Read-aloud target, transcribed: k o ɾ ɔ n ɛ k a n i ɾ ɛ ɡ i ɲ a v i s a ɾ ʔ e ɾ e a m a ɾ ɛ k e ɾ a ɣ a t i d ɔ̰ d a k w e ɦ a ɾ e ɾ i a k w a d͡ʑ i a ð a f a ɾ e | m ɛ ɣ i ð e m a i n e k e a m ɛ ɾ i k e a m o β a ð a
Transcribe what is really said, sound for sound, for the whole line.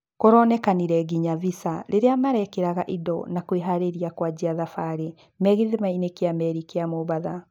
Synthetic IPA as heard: k o ɾ ɔ n ɛ k a n i ɾ ɛ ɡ i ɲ a v i s a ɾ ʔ e ɾ e a m a ɾ ɛ k e ɾ a ɣ a ʔ i d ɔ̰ n a k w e ɦ a ɾ e ɾ i a k w a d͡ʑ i a ð a f a ɾ e | m ɛ ɣ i ð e m a i n e k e a m ɛ ɾ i k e a m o β a ð a